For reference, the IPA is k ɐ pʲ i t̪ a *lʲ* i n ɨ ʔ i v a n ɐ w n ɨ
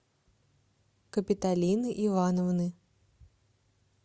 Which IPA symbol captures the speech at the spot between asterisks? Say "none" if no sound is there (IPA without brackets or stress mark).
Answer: lʲ